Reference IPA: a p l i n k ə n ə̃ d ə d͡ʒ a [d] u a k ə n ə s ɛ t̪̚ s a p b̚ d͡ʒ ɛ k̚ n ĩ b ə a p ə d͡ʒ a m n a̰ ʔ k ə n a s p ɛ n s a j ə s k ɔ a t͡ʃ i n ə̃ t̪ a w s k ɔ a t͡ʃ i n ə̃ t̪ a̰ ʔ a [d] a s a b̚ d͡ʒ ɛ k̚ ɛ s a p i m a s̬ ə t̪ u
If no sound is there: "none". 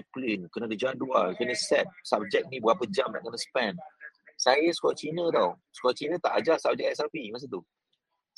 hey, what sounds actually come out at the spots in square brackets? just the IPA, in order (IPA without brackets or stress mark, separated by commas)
d, d͡ʒ